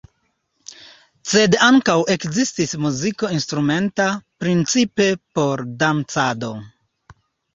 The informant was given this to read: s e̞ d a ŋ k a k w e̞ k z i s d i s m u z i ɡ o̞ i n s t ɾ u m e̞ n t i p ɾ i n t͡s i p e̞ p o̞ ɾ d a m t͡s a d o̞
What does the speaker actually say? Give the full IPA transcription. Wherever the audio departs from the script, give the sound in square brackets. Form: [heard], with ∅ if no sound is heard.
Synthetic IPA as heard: s e̞ d a ŋ k a [∅] w e̞ k z i s [t] i s m u z i [k] o̞ i n s t ɾ u m e̞ n t [a] p ɾ i n t͡s i p e̞ p o̞ ɾ d a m t͡s a d o̞